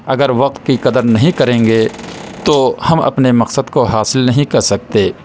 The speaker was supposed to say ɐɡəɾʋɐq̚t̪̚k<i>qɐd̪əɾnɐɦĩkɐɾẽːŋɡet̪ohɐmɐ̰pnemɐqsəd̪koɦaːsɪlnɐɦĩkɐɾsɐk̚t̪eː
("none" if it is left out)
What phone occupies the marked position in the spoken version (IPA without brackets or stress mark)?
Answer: i